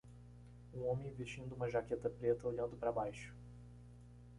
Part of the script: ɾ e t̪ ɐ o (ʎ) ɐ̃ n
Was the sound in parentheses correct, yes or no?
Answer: yes